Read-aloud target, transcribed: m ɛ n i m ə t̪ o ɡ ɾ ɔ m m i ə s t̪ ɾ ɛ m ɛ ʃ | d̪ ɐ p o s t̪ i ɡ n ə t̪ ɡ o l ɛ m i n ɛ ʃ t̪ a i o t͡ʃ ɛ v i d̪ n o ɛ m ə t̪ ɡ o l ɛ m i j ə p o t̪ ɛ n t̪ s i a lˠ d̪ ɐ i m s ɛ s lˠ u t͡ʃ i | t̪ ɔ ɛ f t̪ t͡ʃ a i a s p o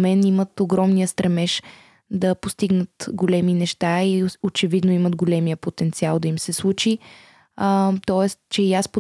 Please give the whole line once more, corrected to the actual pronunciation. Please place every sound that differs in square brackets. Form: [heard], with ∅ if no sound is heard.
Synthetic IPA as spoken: m ɛ n i m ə t̪ o ɡ ɾ ɔ m [n] i ə s t̪ ɾ ɛ m ɛ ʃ | d̪ ɐ p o s t̪ i ɡ n ə t̪ ɡ o l ɛ m i n ɛ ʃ t̪ a i o t͡ʃ ɛ v i d̪ n o [i] m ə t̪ ɡ o l ɛ m i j ə p o t̪ ɛ n t̪ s i a lˠ d̪ ɐ i m s ɛ s lˠ u t͡ʃ i | t̪ ɔ ɛ [s] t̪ t͡ʃ [ɛ] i a s p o